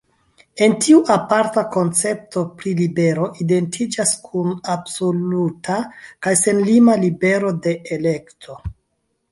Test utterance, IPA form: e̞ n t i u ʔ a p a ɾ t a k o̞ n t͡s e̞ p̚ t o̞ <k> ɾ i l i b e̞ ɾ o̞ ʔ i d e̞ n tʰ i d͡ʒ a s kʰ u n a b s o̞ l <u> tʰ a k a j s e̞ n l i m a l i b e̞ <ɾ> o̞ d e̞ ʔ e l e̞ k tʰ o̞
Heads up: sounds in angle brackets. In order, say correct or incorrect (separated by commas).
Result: incorrect, correct, correct